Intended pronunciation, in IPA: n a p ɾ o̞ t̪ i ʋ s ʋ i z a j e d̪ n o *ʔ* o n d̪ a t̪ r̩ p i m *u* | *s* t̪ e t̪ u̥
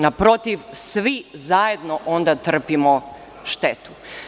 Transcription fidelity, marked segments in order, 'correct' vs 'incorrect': correct, incorrect: o, incorrect: ʃ

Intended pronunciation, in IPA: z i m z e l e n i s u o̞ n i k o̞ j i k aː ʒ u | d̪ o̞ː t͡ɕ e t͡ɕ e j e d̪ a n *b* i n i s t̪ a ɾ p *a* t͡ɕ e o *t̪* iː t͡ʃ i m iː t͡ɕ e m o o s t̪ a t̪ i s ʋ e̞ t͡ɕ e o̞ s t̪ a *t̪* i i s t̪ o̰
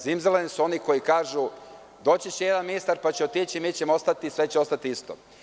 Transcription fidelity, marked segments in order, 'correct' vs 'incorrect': incorrect: m, correct, correct, correct

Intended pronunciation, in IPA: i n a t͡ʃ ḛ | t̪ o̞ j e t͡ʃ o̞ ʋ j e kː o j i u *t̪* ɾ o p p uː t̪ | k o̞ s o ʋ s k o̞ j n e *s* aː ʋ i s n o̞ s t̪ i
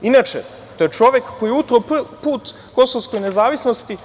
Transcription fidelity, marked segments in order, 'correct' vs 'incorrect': correct, incorrect: z

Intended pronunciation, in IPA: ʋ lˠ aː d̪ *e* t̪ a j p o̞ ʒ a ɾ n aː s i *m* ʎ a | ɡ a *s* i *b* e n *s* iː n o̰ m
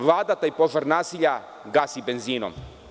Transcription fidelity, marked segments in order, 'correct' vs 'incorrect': incorrect: a, incorrect: none, correct, correct, incorrect: z

